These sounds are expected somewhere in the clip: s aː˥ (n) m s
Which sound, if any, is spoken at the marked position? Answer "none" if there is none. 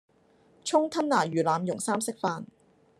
none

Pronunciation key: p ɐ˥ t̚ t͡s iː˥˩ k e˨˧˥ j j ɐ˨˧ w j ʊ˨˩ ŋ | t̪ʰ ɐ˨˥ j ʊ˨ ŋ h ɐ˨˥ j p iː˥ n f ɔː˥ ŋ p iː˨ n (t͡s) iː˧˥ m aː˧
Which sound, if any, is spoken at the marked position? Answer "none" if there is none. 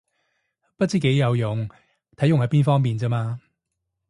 t͡s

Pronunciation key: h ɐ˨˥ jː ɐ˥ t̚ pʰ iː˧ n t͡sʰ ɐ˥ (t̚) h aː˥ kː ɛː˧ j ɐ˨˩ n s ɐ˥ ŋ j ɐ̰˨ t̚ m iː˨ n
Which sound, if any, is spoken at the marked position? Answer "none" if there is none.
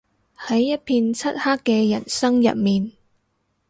t̚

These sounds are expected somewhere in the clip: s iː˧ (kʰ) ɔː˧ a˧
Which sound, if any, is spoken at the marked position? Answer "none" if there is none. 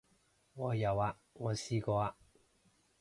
k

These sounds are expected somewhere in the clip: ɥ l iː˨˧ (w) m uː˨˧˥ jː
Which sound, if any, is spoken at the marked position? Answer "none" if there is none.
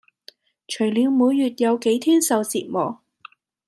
w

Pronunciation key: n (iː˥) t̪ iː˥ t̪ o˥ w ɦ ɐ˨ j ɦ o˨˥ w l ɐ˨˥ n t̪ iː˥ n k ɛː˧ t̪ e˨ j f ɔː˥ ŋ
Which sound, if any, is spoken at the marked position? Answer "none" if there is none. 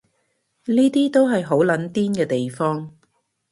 iː˥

